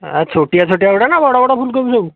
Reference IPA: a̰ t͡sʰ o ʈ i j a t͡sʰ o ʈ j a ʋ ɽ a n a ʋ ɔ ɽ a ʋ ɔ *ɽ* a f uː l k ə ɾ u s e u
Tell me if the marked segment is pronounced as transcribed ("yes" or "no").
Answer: yes